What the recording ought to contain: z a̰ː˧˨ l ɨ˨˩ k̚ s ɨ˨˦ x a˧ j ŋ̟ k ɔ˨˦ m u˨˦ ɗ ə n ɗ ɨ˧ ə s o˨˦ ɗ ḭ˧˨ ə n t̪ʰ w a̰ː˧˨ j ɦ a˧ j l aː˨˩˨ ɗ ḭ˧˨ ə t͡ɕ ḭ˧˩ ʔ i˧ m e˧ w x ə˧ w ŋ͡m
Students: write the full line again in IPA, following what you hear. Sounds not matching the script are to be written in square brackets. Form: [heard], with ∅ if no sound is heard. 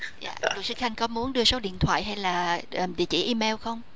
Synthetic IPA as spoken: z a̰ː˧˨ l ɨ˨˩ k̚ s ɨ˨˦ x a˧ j ŋ̟ k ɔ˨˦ m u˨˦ [∅] ə n ɗ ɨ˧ ə s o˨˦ ɗ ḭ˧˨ ə n t̪ʰ w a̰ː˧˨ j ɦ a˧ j l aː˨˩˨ ɗ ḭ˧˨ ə t͡ɕ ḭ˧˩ ʔ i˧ m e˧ w x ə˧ w ŋ͡m